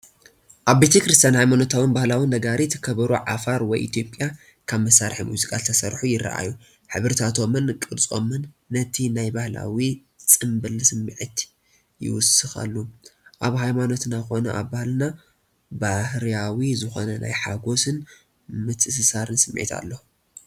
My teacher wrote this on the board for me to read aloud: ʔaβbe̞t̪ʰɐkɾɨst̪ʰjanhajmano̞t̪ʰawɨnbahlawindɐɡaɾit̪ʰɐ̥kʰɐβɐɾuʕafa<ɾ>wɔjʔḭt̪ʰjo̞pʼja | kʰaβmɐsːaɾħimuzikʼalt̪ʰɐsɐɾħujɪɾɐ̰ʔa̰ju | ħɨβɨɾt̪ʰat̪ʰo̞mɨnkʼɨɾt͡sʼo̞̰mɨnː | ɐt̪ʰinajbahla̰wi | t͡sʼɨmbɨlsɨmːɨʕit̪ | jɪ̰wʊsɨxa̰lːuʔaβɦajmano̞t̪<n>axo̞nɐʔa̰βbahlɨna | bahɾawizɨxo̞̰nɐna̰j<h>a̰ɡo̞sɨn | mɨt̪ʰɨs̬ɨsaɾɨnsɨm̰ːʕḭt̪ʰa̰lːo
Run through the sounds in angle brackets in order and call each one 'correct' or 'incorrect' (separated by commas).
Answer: correct, correct, incorrect